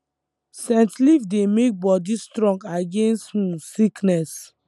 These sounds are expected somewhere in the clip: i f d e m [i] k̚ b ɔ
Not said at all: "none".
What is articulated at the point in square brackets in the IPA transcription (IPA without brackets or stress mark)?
e